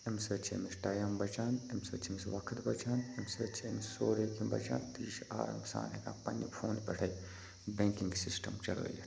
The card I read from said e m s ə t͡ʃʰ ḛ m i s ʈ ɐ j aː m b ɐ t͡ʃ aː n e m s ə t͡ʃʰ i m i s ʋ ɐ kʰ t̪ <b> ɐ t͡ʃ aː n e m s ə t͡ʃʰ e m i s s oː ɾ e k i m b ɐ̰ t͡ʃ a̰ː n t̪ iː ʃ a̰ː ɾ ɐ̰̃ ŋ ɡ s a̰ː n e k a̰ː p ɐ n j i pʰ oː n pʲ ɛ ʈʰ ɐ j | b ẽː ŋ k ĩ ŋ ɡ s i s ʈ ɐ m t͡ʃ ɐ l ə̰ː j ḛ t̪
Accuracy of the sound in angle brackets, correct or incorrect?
correct